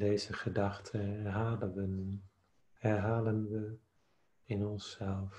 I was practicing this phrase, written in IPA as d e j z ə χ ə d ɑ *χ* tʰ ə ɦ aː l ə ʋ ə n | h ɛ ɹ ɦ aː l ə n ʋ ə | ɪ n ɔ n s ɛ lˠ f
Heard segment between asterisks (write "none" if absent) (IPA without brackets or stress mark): χ